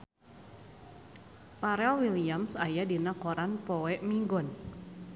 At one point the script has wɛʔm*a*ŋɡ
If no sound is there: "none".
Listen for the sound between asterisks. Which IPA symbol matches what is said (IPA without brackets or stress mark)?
i